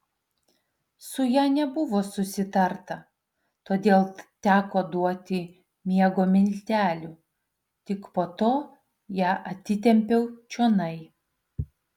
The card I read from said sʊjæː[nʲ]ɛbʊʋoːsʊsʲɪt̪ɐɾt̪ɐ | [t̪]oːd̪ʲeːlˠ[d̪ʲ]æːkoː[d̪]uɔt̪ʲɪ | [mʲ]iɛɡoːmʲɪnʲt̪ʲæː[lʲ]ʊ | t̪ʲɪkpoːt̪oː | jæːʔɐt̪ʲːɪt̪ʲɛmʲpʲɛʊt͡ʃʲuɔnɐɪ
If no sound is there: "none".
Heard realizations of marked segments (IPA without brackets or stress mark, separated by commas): nʲ, t̪, t̪ʲ, d̪, mʲ, lʲ